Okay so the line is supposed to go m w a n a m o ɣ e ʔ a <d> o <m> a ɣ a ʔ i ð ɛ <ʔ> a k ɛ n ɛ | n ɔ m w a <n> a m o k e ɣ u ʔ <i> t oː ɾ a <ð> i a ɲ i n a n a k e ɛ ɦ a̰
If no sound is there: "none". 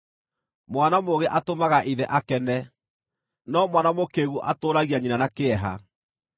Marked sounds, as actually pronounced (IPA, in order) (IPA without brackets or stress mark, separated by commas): t, m, ʔ, n, a, ɣ